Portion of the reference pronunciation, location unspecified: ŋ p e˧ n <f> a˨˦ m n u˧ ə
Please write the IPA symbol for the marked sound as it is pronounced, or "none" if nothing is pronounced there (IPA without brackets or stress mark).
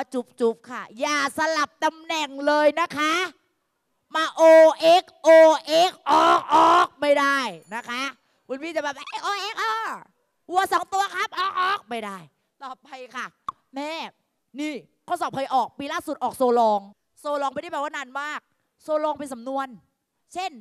s